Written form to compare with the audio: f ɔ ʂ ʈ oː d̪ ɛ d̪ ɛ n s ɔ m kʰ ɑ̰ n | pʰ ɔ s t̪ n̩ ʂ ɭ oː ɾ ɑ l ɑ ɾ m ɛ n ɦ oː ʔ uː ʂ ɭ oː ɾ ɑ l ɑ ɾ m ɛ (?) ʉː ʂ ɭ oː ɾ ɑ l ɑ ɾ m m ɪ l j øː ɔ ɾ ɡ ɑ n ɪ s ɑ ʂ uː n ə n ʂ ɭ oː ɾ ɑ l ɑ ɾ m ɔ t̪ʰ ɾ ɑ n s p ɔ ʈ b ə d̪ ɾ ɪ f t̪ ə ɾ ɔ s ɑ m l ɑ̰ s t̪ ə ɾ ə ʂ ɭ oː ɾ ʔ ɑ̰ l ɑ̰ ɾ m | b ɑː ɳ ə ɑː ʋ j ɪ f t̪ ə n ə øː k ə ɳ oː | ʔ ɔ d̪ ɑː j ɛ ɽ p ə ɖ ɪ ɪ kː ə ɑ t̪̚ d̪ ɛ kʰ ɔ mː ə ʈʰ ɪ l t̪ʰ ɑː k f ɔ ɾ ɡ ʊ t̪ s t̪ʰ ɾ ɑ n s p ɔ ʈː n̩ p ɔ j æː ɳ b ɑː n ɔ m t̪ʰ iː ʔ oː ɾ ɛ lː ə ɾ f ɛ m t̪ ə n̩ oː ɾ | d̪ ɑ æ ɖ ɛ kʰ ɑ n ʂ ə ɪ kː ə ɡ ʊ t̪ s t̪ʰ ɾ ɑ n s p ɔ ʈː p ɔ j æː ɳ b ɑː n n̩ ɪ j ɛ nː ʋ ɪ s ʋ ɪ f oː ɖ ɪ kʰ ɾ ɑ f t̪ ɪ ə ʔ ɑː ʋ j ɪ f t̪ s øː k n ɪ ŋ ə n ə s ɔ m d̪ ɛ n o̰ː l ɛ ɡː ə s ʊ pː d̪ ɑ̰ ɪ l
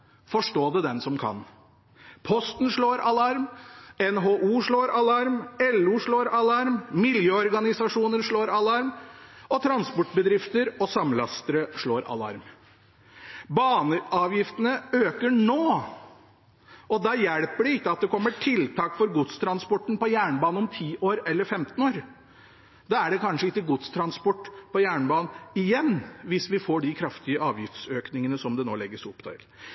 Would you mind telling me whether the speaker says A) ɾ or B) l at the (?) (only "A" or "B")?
B